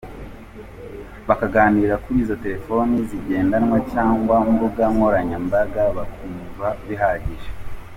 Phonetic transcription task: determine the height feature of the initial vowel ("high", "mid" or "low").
low